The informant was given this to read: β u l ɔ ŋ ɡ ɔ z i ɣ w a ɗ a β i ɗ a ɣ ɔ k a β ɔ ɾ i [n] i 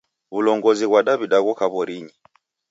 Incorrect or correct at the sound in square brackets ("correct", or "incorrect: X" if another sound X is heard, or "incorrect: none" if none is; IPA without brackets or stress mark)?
incorrect: ɲ